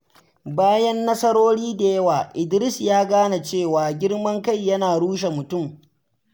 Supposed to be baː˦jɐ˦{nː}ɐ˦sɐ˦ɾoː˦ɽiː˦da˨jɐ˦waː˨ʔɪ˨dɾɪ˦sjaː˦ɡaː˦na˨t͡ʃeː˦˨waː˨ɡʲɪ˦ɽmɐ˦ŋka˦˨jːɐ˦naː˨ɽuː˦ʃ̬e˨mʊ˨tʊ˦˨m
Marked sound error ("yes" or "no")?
no